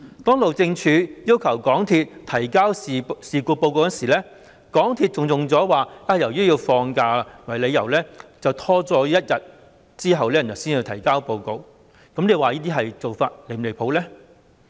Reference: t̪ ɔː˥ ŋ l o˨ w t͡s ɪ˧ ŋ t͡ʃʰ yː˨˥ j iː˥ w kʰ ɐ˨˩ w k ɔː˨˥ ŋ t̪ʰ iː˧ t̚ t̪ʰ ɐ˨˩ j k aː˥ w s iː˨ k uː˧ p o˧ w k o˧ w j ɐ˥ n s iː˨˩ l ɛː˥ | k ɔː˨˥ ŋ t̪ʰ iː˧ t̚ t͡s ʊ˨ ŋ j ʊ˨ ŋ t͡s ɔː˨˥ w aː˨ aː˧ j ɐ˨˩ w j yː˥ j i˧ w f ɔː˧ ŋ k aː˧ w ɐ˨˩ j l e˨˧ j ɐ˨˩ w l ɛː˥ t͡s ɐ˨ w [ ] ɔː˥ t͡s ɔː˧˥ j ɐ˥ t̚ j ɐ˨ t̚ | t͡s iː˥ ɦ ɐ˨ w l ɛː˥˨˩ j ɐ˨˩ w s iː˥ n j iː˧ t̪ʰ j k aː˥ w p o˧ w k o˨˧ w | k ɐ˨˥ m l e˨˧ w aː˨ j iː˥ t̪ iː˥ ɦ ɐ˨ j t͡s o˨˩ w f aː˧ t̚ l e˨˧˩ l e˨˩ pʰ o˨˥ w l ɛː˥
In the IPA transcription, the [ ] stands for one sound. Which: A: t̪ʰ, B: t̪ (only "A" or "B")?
A